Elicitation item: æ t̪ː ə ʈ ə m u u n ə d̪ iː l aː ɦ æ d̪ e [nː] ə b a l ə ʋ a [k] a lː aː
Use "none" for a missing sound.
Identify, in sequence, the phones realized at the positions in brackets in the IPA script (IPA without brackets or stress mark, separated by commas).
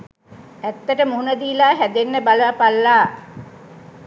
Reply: nː, p